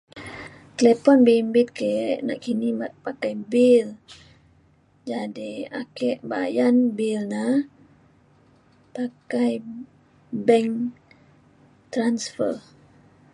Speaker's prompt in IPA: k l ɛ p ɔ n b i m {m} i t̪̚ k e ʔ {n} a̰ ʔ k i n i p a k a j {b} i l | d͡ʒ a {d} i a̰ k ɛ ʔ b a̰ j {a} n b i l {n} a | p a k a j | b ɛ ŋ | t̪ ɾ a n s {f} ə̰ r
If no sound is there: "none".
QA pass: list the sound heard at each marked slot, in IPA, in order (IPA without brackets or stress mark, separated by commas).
b, n, b, d, a, n, f